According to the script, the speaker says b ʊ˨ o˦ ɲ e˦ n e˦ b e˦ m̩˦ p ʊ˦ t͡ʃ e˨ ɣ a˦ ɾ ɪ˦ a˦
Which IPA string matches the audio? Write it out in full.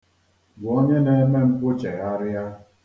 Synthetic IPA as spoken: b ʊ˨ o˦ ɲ e˦ n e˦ m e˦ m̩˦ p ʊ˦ t͡ʃ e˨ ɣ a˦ ɾ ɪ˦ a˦